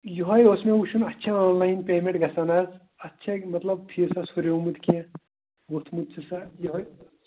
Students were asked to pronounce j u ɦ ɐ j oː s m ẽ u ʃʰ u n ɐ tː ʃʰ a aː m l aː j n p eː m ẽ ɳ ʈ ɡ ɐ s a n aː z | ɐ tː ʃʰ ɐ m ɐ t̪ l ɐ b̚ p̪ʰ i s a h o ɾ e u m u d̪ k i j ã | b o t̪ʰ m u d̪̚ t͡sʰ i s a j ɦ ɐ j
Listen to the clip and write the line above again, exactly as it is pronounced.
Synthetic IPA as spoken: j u ɦ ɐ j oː s m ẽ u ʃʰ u n ɐ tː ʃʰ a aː n l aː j n p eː m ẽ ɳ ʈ ɡ ɐ s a n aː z | ɐ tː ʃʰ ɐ m ɐ t̪ l ɐ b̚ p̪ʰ i s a s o ɾ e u m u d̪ k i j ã | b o t̪ʰ m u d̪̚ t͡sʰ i s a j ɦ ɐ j